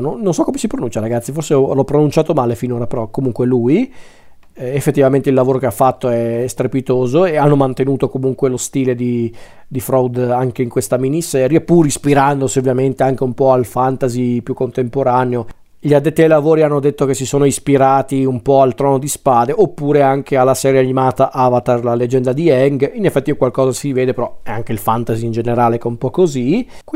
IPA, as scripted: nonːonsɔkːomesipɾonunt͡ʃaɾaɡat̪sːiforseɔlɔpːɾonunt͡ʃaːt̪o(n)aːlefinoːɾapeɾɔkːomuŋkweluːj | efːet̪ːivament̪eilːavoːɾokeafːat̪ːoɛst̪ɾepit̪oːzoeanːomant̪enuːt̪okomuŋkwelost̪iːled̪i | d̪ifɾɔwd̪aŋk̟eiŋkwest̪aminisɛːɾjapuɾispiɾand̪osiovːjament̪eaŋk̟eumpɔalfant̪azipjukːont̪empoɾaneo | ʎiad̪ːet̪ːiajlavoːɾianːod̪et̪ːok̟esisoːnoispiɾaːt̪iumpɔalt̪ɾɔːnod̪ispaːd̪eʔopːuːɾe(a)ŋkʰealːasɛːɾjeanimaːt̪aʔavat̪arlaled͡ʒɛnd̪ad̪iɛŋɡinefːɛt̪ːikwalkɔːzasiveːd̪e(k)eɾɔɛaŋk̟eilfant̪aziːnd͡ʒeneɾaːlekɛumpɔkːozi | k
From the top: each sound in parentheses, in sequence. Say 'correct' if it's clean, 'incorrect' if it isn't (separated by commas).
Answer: incorrect, correct, incorrect